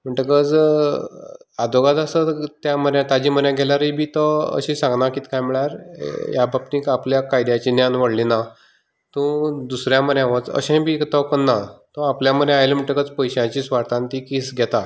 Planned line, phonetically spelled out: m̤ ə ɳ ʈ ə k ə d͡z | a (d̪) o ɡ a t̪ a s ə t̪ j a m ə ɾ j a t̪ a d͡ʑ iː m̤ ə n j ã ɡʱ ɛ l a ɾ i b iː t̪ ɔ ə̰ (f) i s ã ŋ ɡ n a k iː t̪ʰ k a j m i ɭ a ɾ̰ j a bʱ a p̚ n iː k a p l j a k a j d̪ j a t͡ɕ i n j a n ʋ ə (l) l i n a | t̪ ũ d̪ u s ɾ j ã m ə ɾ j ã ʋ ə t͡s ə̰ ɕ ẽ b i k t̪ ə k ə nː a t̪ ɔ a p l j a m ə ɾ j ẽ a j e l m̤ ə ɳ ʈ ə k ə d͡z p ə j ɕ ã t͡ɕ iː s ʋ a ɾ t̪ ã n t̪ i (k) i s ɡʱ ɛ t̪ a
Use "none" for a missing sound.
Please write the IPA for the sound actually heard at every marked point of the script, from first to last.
d̪, ɕ, ɽ, k

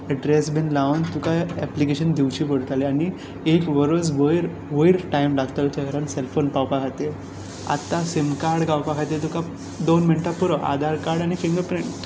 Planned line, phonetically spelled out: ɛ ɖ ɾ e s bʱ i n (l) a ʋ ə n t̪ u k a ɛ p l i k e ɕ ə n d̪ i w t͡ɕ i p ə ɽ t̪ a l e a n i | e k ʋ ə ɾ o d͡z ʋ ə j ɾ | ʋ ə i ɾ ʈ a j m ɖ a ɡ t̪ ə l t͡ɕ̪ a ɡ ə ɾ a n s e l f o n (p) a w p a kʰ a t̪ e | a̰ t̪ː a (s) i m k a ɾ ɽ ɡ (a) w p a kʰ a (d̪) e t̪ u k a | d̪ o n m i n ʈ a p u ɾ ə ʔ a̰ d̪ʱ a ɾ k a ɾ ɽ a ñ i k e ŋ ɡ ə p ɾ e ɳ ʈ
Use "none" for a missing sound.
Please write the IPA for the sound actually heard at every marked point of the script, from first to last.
l, p, s, a, t̪

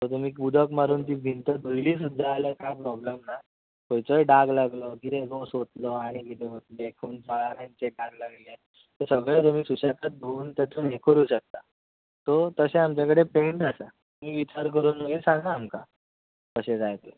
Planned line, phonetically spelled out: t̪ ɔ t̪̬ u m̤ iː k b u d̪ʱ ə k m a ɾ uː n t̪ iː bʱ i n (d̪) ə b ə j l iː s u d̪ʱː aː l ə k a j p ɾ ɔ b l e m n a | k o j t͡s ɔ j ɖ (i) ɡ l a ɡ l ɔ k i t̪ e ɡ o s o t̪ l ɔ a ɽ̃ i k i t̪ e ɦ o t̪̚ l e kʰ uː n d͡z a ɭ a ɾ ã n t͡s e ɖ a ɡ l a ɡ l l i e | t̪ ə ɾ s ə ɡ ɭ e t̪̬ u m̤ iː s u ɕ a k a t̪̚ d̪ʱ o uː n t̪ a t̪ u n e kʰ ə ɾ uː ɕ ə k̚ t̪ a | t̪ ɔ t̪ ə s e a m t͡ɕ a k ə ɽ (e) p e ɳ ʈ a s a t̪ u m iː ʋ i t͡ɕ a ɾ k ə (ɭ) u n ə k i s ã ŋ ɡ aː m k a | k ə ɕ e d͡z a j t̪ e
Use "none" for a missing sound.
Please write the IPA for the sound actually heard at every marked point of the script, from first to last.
t̪, a, e, ɾ

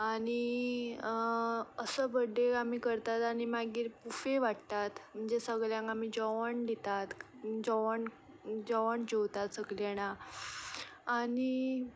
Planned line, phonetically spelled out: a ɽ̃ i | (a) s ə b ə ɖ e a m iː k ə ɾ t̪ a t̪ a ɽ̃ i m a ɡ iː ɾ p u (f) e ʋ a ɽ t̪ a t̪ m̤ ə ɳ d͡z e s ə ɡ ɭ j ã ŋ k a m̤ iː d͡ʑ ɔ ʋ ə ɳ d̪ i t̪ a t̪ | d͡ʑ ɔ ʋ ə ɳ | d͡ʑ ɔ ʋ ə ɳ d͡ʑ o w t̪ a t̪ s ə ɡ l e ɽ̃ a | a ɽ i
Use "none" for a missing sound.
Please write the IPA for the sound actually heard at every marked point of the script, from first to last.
ə, f

